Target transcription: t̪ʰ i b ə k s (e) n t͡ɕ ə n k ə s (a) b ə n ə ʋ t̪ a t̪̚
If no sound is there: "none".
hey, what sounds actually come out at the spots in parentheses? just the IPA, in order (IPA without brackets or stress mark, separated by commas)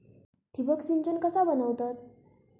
i, a